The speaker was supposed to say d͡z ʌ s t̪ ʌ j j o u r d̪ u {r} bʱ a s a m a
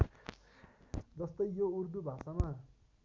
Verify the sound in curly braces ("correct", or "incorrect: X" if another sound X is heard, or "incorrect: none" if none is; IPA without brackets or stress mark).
incorrect: none